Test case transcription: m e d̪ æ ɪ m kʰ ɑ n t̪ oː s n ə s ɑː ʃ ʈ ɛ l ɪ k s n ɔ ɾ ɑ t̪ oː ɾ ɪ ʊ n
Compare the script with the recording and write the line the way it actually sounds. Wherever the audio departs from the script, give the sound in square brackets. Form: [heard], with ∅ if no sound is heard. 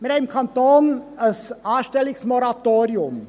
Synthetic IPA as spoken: m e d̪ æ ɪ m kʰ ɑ n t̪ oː [∅] n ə s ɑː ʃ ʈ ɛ l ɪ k s [m] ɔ ɾ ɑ t̪ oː ɾ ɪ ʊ [m]